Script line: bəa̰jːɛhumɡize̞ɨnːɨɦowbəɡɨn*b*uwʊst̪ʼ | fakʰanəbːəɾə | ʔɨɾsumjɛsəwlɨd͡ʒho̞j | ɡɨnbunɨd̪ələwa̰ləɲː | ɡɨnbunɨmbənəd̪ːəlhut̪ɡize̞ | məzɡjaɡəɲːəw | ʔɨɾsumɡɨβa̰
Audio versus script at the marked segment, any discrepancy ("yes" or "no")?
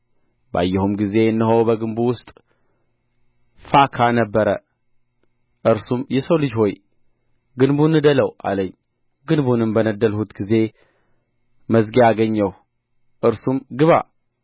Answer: no